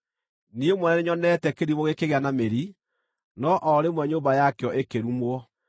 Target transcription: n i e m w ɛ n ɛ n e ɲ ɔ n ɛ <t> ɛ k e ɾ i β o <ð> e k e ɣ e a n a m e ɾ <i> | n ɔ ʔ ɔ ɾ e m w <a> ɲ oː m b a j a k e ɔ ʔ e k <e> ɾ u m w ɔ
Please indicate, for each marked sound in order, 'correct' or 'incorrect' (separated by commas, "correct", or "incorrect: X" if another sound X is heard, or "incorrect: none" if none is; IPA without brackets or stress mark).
correct, incorrect: ɣ, correct, incorrect: ɛ, correct